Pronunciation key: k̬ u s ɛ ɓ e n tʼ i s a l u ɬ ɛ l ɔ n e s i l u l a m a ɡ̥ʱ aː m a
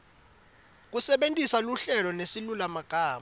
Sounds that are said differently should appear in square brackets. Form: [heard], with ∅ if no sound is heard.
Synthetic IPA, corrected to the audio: k̬ u s ɛ ɓ e n tʼ i s a l u ɬ ɛ l ɔ n e s i l u l a m a ɡ̥ʱ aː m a